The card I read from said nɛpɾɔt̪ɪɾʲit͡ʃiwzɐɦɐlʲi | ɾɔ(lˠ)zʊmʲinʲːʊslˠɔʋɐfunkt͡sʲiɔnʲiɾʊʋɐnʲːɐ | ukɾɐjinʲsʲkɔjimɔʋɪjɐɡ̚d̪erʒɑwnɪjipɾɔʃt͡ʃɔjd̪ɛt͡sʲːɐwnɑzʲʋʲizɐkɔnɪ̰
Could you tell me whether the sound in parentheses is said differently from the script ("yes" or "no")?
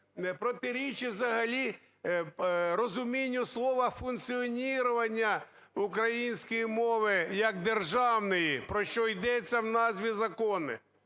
yes